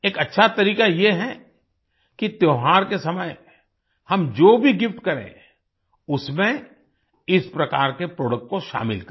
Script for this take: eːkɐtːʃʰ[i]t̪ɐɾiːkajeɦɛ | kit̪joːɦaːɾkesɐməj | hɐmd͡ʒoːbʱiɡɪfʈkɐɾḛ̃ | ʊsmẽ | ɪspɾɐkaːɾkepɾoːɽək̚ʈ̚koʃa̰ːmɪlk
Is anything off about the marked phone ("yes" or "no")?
yes